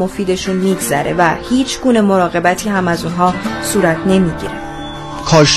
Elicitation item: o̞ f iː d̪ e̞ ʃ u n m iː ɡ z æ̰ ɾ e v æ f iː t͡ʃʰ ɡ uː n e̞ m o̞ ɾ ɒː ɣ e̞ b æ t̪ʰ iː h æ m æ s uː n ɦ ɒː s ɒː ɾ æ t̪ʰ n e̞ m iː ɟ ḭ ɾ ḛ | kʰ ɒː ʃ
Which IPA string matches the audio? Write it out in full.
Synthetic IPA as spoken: o̞ f iː d̪ e̞ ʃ u n m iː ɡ z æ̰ ɾ e v æ h iː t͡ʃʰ ɡ uː n e̞ m o̞ ɾ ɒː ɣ e̞ b æ t̪ʰ iː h æ m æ z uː n ɦ ɒː s uː ɾ æ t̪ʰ n e̞ m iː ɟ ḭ ɾ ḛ | kʰ ɒː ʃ